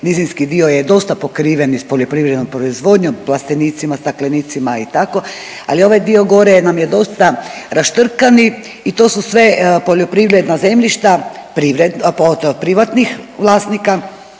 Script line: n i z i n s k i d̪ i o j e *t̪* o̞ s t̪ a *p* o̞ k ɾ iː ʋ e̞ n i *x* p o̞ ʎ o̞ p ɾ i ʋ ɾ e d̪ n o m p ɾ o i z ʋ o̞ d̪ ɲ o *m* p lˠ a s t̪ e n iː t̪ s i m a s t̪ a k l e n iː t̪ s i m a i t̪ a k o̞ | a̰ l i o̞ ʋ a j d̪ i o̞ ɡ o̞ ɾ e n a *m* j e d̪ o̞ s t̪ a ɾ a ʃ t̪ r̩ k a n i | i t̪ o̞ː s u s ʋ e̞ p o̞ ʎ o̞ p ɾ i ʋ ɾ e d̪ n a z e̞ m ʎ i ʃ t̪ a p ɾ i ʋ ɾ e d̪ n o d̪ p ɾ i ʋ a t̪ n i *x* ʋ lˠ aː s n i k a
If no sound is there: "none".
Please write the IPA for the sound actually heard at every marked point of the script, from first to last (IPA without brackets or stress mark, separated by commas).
d̪, p, s, m, m, x